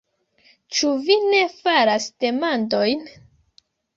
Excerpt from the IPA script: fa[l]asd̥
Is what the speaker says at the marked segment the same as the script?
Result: no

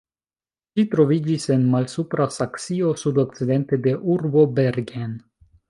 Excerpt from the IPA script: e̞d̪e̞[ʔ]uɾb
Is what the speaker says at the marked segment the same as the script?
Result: yes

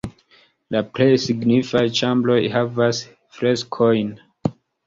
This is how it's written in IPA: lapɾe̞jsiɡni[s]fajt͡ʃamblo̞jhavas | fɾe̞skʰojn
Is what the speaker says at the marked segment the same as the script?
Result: no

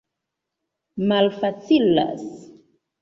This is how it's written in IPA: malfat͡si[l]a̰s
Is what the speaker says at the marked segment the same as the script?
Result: yes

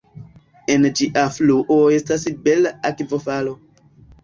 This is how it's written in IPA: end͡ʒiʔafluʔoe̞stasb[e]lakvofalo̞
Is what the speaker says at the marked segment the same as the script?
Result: yes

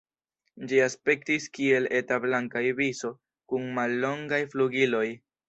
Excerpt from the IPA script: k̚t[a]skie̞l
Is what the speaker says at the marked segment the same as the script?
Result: no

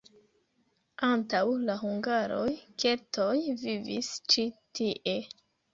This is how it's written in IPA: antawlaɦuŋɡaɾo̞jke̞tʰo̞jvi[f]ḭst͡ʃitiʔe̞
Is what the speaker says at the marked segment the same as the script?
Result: no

